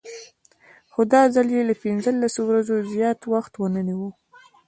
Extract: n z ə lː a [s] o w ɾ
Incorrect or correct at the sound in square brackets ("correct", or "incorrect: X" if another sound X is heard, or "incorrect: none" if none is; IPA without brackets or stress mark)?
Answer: correct